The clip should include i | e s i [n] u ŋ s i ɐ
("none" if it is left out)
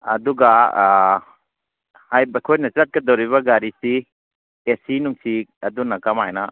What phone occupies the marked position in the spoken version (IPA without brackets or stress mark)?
n